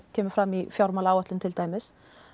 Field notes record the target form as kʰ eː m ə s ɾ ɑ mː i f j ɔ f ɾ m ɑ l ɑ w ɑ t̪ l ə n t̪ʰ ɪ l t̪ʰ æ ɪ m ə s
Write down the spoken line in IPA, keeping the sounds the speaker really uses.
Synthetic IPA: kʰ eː m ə f ɾ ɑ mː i f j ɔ ɾ m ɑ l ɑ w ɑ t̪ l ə n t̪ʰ ɪ l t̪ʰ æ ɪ m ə s